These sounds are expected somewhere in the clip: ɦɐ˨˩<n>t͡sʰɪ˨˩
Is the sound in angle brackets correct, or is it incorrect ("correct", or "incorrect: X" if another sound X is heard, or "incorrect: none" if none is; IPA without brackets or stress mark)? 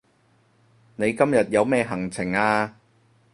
incorrect: ŋ